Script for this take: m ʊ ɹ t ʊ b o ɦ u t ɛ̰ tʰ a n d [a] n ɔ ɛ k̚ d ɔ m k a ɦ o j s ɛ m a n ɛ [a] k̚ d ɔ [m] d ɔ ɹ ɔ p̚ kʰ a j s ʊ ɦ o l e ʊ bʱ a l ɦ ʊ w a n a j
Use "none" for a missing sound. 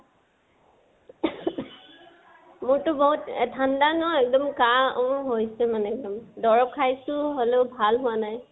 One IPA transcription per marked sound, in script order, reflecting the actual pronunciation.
a, ɛ, m

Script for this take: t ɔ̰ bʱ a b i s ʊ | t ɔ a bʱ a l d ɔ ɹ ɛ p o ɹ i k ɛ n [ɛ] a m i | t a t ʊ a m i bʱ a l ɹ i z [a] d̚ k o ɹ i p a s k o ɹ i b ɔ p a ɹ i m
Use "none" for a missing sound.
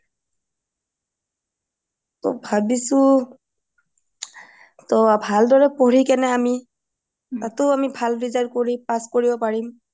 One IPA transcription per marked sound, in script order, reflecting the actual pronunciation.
ɛ, a

